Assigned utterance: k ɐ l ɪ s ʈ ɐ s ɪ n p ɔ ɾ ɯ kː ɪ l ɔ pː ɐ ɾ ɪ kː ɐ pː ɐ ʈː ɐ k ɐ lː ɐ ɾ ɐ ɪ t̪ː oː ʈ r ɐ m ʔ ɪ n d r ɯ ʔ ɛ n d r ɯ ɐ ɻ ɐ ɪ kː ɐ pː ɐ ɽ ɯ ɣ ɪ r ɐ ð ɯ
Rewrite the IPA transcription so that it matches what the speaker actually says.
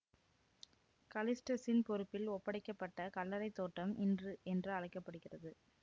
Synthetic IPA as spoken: k ɐ l ɪ s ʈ ɐ s ɪ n p ɔ ɾ ɯ pː ɪ l ɔ pː ɐ ɽ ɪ kː ɐ pː ɐ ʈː ɐ k ɐ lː ɐ ɾ ɐ ɪ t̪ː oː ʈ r ɐ m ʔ ɪ n d r ɯ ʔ ɛ n d r ɯ ɐ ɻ ɐ ɪ kː ɐ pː ɐ ɽ ɯ ɣ ɪ r ɐ ð ɯ